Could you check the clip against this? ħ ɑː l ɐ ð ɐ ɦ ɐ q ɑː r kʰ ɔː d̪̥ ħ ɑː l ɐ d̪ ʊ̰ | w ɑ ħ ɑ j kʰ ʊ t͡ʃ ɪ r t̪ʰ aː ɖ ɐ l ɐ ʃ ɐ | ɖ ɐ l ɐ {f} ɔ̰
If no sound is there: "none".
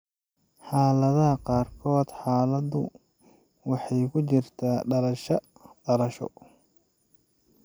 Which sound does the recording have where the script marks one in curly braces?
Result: ʃ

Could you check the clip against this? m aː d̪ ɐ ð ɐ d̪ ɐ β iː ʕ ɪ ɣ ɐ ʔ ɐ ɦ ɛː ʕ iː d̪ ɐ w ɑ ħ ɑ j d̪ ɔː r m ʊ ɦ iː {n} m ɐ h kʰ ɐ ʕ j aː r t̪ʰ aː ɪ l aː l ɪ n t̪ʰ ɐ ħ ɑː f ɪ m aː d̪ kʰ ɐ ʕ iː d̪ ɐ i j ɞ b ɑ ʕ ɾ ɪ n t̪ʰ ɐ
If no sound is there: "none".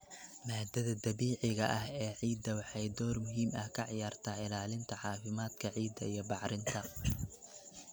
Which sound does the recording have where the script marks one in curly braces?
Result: none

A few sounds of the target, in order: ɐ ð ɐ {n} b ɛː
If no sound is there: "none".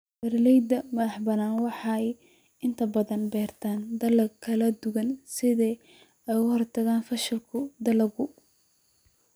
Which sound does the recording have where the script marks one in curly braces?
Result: n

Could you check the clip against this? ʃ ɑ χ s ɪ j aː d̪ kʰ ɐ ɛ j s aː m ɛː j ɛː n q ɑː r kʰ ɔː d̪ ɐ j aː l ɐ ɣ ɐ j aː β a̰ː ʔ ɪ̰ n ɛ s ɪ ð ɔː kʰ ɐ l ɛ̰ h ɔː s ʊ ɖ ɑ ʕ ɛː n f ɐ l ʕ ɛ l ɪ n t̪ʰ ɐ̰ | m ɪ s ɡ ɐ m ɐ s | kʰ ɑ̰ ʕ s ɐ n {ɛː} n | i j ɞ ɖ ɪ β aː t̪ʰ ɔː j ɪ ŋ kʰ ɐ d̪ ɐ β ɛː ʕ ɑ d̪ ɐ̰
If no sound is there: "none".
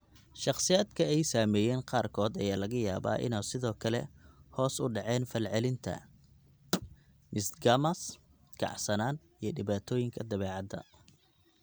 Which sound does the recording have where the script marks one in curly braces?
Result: aː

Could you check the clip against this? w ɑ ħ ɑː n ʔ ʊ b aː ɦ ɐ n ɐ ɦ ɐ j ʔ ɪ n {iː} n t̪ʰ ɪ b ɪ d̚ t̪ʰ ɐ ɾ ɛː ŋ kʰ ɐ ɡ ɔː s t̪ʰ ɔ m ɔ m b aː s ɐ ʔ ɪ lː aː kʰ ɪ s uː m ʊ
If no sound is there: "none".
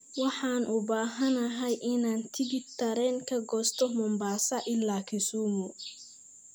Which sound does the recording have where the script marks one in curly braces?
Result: aː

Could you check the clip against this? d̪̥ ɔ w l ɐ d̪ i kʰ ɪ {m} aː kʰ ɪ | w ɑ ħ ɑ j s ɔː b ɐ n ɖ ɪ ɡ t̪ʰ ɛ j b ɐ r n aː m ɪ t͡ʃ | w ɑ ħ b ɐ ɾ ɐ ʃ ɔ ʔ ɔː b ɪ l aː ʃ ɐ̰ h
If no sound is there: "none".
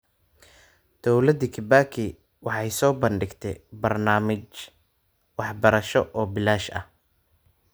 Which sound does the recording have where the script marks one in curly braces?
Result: b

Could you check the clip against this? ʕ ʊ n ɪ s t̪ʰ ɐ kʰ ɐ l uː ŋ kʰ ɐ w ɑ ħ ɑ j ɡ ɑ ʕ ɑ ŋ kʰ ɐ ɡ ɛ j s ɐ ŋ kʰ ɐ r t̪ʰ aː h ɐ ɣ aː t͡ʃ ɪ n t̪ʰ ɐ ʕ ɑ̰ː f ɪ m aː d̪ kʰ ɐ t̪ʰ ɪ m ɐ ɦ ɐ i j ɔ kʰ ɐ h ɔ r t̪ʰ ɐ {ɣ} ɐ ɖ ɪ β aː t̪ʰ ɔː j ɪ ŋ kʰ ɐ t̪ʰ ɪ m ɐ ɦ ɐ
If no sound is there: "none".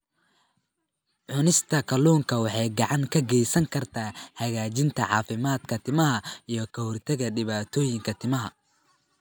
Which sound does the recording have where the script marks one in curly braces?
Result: ɣ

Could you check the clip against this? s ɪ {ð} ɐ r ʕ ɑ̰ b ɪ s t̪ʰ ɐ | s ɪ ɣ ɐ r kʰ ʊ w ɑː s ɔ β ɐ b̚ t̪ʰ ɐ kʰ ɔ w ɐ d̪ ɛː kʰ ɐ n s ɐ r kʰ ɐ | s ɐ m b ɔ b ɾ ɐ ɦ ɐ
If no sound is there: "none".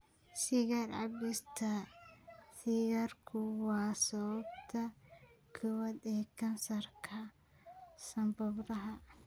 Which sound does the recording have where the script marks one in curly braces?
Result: ɣ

